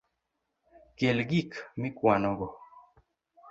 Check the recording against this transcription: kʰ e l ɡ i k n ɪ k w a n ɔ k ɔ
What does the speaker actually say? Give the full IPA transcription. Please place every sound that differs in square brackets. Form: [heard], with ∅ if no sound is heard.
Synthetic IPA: [k] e l ɡ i k [m] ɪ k w a n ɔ [ɡ] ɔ